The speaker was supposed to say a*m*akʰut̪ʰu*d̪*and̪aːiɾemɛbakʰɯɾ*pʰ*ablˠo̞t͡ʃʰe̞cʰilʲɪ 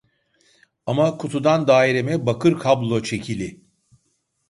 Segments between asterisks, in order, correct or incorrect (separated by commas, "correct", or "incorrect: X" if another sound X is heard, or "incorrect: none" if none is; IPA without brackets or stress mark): correct, correct, incorrect: kʰ